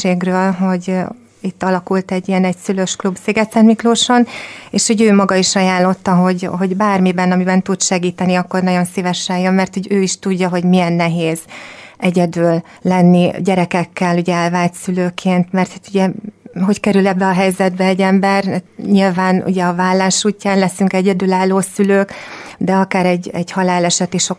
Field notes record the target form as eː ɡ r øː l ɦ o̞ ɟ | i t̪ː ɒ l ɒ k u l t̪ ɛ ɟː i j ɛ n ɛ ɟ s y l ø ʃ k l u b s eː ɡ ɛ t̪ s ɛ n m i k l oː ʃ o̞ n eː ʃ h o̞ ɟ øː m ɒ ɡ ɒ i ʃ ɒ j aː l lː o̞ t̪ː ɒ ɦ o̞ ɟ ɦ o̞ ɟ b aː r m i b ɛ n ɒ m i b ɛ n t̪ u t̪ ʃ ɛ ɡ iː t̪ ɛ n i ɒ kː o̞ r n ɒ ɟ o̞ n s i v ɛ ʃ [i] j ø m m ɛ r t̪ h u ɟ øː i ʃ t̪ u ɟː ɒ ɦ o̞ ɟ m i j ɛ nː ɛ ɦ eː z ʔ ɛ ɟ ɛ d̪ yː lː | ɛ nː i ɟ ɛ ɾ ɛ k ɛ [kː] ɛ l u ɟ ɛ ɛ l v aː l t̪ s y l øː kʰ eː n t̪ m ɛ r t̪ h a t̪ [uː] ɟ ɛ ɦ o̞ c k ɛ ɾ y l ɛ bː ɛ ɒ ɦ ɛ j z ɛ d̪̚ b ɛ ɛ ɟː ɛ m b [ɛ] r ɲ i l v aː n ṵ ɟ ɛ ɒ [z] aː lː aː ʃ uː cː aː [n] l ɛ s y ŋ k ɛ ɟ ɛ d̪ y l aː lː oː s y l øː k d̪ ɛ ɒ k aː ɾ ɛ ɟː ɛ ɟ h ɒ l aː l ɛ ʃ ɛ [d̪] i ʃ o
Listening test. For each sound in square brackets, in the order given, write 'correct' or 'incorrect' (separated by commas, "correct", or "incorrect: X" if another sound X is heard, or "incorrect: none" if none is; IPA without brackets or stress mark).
incorrect: ɛ, correct, incorrect: u, correct, incorrect: v, correct, incorrect: t̪